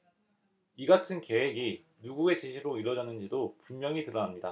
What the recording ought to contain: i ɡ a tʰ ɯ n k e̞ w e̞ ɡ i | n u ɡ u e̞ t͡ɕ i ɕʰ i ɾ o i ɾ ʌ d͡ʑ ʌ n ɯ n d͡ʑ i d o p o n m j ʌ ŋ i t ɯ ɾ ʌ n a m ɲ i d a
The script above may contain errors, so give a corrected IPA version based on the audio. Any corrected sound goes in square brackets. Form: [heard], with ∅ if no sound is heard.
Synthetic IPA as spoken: i ɡ a tʰ ɯ n k e̞ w e̞ ɡ i | n u ɡ u e̞ t͡ɕ i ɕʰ i ɾ o i ɾ ʌ d͡ʑ ʌ n ɯ n d͡ʑ i d o p [u] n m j ʌ ŋ i t ɯ ɾ ʌ n a m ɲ i d a